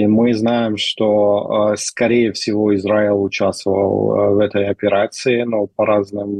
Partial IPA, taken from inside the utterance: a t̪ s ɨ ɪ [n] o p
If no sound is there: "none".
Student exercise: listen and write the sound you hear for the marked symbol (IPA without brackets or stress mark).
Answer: n